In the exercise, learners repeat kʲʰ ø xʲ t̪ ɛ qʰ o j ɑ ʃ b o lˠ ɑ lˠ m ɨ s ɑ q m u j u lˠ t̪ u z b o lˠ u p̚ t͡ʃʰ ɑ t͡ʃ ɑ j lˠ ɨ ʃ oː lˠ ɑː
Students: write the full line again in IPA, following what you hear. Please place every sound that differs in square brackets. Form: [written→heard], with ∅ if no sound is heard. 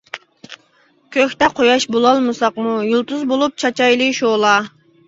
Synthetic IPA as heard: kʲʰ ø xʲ t̪ ɛ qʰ o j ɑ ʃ b o lˠ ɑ lˠ m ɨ s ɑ q m u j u lˠ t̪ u z b o lˠ u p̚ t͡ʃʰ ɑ t͡ʃ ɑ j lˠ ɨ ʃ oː lˠ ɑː